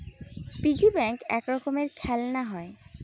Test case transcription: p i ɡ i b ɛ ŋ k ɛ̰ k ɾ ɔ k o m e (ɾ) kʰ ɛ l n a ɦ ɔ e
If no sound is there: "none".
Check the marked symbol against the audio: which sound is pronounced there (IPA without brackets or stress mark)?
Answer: ɾ